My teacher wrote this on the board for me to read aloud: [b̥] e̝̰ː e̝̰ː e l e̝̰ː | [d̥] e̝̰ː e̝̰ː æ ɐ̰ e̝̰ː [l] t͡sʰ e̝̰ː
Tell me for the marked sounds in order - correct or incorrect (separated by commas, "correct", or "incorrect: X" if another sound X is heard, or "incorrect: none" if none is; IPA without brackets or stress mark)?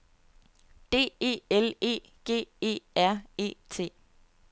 incorrect: d̥, incorrect: ɡ̥, incorrect: none